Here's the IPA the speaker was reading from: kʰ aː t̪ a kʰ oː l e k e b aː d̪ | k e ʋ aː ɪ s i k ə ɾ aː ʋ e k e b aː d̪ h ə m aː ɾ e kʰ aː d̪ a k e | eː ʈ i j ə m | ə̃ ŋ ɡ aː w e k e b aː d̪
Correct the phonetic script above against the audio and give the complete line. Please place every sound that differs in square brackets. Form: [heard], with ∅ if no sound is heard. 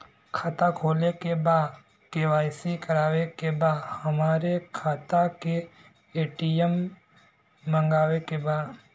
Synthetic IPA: kʰ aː t̪ a kʰ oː l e k e b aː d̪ | k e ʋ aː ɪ s i k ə ɾ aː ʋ e k e b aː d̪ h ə m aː ɾ e kʰ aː [t̪] a k e | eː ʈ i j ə m | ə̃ ŋ ɡ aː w e k e b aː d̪

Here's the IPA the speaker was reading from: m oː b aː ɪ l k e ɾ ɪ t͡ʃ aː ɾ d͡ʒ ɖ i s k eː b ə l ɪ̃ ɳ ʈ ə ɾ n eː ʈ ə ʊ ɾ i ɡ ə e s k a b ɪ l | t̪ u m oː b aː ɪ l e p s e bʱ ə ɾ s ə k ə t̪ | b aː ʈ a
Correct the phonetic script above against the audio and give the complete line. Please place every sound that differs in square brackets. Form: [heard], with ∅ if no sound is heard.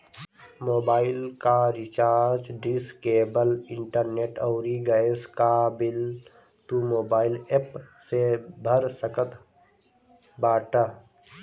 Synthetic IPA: m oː b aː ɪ l k [a] ɾ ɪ t͡ʃ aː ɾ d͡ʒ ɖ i s k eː b ə l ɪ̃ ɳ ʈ ə ɾ n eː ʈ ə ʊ ɾ i ɡ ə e s k a b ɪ l | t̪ u m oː b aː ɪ l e p s e bʱ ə ɾ s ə k ə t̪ | b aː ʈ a

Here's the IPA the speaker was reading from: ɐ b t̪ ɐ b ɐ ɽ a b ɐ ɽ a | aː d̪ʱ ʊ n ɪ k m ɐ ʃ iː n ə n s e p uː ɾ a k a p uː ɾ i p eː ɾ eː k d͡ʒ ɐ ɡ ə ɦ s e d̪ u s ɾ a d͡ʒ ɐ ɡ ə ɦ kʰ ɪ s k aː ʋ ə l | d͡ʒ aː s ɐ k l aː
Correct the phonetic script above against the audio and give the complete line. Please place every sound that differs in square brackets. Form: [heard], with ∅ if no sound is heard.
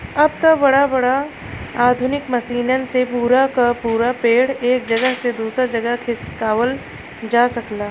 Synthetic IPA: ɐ b t̪ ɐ b ɐ ɽ a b ɐ ɽ a | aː d̪ʱ ʊ n ɪ k m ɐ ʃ iː n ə n s e p uː ɾ a k a p uː ɾ [a] p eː [ɽ] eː k d͡ʒ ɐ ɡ ə ɦ s e d̪ [uː] s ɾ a d͡ʒ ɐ ɡ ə ɦ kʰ ɪ s k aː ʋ ə l | d͡ʒ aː s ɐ k l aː

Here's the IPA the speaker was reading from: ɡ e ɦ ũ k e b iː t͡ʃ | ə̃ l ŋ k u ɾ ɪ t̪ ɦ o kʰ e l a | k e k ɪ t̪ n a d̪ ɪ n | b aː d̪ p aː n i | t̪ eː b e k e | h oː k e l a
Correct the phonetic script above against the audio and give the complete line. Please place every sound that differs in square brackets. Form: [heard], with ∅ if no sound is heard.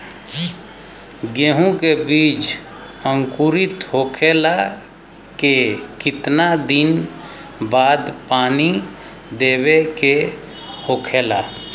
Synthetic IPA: ɡ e ɦ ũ k e b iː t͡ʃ | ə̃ [∅] ŋ k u ɾ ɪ t̪ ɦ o kʰ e l a | k e k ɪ t̪ n a d̪ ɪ n | b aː d̪ p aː n i | [d̪] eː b e k e | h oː [kʰ] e l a

